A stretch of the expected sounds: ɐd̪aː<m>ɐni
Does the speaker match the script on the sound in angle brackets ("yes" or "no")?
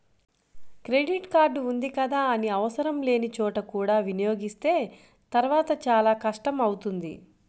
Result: no